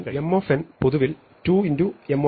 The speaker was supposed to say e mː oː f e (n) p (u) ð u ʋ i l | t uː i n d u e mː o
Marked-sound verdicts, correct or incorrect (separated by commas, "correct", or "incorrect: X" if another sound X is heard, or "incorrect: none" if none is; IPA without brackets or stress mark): correct, incorrect: o